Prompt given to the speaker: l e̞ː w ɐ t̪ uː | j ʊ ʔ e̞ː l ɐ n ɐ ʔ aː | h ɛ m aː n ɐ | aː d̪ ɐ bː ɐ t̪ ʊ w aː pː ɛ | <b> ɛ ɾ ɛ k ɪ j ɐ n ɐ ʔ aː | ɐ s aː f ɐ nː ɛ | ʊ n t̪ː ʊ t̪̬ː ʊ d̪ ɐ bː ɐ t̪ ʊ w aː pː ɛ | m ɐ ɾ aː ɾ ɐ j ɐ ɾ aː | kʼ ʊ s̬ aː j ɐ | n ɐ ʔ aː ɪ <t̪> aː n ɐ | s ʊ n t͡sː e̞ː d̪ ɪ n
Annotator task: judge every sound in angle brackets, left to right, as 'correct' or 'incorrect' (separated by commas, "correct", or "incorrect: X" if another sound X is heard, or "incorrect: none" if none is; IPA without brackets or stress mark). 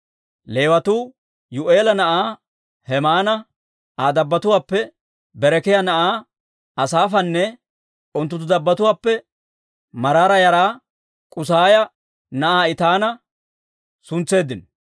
correct, correct